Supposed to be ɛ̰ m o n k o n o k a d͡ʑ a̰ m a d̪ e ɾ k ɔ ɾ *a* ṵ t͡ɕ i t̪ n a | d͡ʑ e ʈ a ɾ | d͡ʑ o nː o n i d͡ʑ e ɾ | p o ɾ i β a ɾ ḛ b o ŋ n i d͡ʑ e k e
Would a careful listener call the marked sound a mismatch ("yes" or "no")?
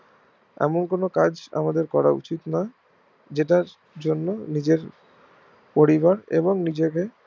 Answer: no